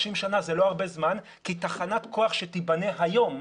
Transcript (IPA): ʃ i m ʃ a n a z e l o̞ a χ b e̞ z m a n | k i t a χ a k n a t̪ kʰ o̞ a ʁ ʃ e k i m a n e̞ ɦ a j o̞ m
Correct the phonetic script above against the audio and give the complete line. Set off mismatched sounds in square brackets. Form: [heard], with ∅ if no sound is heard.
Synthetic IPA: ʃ i m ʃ a n a z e l o̞ a [ʁ] b e̞ z m a n | k i t a χ a [∅] n a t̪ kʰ o̞ a [χ] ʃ e [t] i [b] a n e̞ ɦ a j o̞ m